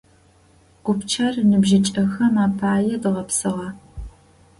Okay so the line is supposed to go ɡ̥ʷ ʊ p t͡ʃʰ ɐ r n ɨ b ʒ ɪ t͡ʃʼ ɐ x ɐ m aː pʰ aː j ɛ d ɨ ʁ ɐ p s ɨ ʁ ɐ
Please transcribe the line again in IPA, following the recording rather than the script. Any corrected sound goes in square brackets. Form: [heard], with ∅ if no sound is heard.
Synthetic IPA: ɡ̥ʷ ʊ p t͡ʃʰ ɐ r n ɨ b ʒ ɪ t͡ʃʼ ɐ x ɐ m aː pʰ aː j ɛ d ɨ ʁ ɐ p s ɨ ʁ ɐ